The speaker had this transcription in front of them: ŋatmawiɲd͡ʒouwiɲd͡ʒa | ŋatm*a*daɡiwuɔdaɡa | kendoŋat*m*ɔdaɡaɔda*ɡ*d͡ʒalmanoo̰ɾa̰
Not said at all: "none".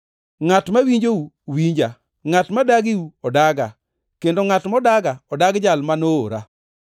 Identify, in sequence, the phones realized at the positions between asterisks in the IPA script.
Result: a, m, ɡ

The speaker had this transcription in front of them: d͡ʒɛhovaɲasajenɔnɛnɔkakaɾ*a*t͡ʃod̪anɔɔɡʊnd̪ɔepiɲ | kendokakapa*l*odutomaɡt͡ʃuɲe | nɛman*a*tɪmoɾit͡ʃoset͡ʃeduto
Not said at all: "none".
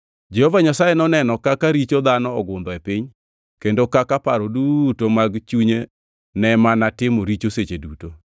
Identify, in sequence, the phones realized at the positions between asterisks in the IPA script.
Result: i, ɾ, a

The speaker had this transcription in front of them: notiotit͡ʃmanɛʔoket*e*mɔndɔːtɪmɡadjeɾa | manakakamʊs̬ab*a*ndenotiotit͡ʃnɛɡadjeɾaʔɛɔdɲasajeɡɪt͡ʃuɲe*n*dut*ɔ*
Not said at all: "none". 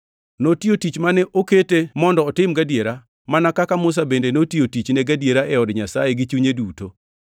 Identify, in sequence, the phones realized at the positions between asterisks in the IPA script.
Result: e, e, none, o

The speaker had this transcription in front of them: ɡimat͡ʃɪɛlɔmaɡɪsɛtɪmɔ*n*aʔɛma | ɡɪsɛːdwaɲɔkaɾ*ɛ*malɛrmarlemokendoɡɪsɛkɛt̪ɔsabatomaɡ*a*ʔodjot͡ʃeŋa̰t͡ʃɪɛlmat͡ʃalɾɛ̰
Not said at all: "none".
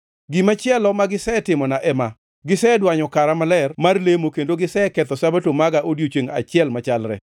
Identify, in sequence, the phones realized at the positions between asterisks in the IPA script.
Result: n, a, a

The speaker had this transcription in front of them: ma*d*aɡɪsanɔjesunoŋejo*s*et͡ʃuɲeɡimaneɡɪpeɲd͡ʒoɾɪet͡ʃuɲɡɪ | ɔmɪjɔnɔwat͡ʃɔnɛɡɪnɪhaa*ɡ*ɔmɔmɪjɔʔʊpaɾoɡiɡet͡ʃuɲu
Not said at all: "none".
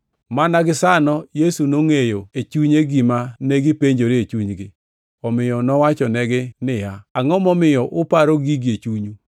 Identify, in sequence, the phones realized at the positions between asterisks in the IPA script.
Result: n, none, ŋ

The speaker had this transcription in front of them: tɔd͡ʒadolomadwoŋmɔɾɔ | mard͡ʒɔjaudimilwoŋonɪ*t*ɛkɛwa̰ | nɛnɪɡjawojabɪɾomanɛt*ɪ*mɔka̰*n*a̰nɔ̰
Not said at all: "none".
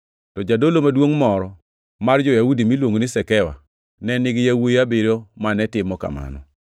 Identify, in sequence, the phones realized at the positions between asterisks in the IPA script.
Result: s, ɪ, m

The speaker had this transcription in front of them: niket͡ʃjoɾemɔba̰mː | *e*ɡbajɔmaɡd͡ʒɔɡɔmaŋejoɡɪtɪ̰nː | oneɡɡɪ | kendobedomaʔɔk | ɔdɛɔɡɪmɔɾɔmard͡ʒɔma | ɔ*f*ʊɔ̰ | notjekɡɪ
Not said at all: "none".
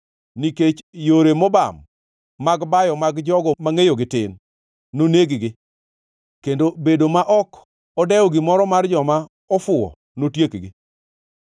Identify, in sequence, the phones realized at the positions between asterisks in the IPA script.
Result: a, f

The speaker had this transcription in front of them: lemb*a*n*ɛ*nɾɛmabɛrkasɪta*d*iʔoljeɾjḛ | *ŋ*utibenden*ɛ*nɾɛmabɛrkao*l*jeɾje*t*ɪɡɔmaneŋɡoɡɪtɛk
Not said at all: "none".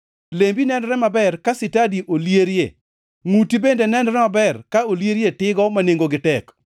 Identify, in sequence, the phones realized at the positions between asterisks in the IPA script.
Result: i, ɛ, d, ŋ, ɛ, l, t

